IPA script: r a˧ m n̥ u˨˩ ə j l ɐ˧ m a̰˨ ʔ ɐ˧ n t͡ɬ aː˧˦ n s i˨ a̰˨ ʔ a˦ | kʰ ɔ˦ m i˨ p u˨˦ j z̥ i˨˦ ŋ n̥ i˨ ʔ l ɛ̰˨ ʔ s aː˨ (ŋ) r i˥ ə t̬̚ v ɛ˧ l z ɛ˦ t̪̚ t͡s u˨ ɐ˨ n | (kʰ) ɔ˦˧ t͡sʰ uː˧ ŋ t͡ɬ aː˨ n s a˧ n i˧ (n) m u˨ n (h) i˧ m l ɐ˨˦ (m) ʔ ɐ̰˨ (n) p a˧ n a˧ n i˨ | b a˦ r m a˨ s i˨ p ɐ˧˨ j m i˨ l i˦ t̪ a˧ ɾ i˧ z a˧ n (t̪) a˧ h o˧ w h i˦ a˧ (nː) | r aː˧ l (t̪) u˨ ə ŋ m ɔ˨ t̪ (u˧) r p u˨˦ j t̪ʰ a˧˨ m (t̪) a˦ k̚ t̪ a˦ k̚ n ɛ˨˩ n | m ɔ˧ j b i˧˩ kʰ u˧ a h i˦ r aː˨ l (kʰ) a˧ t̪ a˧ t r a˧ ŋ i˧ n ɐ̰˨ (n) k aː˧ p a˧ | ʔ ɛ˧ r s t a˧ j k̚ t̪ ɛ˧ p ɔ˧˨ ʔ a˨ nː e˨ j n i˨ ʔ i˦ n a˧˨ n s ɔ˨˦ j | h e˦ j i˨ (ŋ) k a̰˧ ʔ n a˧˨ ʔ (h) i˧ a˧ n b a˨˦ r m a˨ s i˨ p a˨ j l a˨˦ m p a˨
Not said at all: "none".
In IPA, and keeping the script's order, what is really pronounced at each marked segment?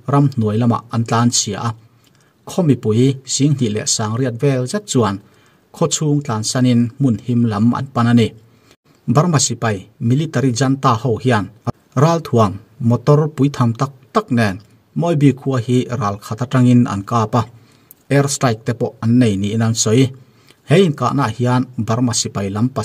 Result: ŋ, kʰ, n, h, m, n, t̪, n, t̪ʰ, ɔ˧, t̪, kʰ, n, n, h

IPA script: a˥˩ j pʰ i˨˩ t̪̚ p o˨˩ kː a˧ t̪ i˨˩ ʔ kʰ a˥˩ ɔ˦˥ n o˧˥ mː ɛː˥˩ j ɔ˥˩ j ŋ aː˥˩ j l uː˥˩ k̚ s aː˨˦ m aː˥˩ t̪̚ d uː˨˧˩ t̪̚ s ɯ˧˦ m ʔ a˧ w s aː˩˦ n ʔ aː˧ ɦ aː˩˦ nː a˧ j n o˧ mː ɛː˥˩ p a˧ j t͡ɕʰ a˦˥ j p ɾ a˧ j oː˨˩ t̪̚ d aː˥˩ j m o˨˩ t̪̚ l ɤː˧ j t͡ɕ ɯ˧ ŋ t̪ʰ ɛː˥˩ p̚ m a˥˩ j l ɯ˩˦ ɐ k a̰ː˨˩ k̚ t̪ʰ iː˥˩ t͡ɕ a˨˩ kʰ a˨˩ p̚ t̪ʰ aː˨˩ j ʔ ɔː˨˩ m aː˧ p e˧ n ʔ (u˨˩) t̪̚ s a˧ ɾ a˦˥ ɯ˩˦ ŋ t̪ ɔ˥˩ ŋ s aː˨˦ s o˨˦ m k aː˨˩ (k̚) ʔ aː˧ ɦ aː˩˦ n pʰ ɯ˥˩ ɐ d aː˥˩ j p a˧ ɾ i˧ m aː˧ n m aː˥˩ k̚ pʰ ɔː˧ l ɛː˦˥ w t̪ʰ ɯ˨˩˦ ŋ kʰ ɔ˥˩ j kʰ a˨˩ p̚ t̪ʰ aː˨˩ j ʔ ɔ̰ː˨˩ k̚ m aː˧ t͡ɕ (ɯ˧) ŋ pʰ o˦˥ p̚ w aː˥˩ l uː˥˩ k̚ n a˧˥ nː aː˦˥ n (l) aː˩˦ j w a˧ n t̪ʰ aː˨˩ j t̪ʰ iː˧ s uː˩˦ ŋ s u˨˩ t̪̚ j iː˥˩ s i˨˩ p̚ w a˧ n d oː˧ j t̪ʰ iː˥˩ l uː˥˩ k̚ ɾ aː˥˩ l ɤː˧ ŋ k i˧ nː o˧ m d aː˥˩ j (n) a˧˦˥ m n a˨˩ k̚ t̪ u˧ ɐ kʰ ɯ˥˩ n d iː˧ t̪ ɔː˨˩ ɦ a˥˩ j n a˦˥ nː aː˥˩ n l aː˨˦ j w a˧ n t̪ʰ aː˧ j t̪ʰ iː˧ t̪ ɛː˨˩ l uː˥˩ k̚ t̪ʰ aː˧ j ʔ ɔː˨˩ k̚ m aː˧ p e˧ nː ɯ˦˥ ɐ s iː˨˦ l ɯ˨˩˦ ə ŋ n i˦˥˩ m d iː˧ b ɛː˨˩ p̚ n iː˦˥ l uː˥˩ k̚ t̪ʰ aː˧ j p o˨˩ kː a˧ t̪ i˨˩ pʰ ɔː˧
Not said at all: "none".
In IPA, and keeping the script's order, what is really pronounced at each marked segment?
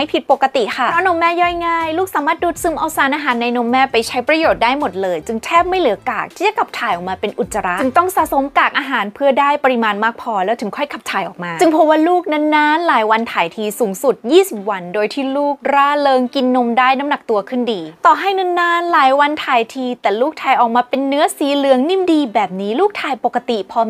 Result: u˨˩, k̚, ɯ˧, l, n

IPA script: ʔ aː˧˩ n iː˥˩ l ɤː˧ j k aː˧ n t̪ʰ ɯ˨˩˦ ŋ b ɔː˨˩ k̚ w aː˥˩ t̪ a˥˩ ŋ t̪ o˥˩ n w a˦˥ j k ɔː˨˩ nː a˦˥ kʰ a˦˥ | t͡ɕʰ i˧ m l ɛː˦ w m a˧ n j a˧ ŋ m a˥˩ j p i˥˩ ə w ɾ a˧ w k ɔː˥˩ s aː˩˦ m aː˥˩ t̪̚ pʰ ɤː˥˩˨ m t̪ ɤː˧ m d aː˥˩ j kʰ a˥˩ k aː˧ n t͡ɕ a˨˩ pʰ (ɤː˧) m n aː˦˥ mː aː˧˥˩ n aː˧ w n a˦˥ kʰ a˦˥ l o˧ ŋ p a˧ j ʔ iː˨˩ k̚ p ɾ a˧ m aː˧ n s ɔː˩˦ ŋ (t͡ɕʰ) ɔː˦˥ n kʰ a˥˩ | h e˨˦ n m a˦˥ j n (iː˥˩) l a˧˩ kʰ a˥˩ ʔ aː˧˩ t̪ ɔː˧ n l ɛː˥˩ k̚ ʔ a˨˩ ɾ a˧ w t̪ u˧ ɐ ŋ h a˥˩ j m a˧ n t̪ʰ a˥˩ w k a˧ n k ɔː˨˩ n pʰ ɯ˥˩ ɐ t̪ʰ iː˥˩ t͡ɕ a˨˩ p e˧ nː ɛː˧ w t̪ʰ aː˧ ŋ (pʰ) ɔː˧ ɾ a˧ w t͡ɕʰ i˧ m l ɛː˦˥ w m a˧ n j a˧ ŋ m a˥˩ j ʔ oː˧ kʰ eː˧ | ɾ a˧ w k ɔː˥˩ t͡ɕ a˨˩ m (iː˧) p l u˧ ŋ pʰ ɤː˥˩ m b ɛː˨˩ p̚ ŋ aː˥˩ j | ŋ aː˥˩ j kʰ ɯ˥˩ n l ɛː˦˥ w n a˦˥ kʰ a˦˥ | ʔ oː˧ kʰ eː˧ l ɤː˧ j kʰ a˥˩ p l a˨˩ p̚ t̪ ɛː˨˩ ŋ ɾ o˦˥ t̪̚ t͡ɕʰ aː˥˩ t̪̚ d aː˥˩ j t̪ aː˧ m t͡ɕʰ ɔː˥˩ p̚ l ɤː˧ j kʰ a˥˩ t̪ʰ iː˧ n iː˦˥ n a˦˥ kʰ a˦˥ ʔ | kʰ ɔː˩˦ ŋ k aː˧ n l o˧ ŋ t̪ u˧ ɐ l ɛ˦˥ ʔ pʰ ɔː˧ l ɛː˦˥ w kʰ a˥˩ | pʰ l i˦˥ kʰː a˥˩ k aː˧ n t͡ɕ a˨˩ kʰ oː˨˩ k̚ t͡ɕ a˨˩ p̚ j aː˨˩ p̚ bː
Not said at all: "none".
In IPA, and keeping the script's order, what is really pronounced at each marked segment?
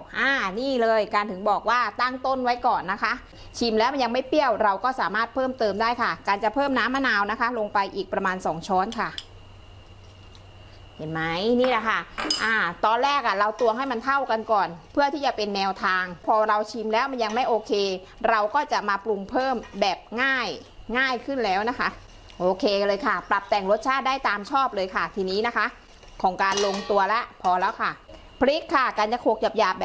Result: ɤː˥˩, t͡ɕʰ, iː˥˩, pʰ, aː˧

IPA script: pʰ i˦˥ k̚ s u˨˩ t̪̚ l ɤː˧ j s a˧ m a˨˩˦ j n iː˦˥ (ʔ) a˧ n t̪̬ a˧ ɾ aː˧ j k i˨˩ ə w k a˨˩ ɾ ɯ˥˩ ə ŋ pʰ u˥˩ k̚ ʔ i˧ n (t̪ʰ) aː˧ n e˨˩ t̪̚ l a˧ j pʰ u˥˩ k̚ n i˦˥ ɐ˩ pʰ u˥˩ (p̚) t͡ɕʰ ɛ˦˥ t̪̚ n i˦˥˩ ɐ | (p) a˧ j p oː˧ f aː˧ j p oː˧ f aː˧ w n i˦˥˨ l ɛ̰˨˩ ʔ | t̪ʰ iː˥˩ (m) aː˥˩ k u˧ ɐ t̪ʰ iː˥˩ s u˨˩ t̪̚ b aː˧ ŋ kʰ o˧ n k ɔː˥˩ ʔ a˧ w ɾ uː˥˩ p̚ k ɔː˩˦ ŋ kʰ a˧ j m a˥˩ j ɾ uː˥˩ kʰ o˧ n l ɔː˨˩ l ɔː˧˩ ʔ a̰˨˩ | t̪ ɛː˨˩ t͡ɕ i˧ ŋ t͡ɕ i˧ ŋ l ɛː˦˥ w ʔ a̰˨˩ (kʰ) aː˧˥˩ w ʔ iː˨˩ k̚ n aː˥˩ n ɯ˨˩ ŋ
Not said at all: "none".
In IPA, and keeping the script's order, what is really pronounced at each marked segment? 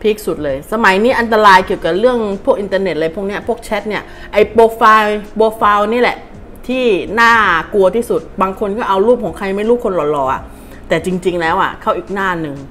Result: ʔ, t̪, k̚, ʔ, n, kʰ

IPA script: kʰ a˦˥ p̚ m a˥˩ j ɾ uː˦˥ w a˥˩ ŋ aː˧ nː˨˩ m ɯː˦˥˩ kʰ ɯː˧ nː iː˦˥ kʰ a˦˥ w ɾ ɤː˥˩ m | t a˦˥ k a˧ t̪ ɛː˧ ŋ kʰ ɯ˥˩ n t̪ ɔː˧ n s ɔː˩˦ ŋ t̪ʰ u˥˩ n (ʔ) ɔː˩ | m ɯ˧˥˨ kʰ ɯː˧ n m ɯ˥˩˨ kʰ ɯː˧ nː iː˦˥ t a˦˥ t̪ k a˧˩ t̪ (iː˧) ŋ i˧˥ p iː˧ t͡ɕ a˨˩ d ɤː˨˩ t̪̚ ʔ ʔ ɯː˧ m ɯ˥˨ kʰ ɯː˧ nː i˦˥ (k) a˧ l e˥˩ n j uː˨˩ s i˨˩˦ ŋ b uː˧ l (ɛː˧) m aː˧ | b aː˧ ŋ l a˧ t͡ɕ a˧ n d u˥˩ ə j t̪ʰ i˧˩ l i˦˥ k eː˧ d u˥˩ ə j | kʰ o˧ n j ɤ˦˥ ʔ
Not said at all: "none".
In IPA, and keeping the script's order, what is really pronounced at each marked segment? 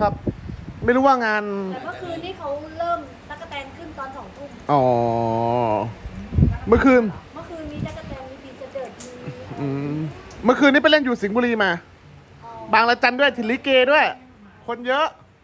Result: ʔ, ɛː˧, p, iː˧

